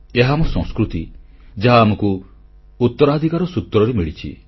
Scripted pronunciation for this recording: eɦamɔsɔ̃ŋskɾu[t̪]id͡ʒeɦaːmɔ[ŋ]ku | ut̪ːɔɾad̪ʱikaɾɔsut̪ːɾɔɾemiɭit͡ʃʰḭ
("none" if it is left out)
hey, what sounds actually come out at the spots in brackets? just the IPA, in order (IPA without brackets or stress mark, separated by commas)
t̪, none